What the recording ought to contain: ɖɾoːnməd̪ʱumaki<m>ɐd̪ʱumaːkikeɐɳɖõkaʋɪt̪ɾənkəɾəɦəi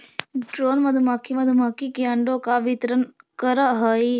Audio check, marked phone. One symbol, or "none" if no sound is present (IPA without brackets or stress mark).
m